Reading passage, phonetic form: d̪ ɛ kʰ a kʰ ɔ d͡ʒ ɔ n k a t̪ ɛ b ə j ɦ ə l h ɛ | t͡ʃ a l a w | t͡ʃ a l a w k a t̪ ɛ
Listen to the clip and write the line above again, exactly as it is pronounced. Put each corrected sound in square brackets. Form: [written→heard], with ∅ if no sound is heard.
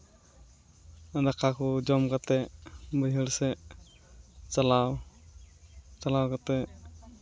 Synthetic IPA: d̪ [ɛ→a] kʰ a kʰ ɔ d͡ʒ ɔ [n→m] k a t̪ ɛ b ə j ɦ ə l [h→s] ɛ | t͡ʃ a l a w | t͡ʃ a l a w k a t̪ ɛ